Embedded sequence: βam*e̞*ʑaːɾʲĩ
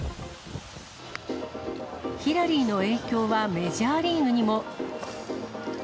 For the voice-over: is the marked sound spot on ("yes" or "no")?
yes